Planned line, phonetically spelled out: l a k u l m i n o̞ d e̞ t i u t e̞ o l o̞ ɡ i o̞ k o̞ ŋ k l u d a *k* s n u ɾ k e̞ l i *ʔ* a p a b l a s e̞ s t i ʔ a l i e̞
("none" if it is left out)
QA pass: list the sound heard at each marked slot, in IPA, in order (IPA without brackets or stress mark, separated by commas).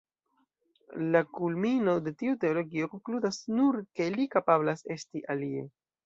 none, k